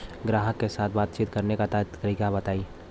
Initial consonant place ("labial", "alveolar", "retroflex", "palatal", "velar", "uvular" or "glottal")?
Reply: velar